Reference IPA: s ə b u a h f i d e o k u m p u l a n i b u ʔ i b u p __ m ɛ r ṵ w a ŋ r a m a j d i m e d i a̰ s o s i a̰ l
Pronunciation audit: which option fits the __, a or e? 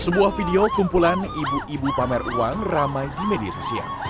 a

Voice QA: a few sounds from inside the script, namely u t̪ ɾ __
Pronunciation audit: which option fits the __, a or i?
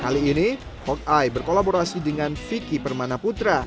a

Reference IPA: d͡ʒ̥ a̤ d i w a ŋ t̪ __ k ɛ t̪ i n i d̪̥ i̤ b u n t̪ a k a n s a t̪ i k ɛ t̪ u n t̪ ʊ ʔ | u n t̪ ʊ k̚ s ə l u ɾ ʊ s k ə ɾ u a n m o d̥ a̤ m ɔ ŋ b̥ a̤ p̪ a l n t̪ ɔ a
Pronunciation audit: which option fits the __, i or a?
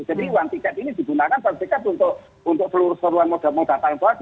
i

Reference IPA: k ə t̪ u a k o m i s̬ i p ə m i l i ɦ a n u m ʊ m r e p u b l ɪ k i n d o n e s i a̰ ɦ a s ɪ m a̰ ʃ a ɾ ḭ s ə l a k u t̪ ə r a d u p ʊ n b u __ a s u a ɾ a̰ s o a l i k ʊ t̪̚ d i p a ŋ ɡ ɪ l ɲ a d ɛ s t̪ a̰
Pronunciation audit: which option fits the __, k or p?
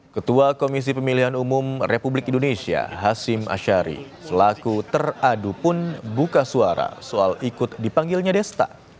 k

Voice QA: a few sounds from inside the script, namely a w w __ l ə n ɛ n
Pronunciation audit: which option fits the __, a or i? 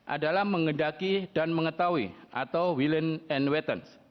i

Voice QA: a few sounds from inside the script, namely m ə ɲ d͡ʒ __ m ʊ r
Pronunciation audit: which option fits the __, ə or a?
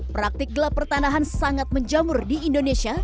a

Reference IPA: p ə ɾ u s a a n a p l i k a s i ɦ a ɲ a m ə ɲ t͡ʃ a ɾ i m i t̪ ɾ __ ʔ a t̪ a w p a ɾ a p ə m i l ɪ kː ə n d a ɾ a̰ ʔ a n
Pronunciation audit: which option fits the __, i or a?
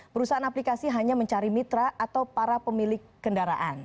a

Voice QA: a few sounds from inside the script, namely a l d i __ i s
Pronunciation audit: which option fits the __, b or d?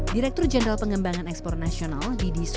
d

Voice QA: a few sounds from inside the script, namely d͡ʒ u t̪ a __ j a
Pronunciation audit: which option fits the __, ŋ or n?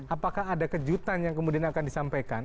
n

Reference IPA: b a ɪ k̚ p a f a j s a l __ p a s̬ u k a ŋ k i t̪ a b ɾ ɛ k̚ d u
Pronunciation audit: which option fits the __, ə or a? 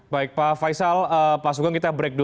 ə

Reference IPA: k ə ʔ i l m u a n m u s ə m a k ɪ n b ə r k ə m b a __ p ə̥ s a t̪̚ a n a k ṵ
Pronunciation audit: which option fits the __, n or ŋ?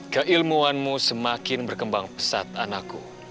ŋ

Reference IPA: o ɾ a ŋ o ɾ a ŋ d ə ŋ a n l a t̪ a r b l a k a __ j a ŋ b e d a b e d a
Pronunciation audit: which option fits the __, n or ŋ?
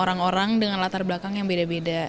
ŋ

